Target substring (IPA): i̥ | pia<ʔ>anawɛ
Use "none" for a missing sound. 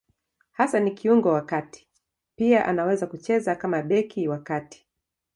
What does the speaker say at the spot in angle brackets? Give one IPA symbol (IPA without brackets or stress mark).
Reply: ʔ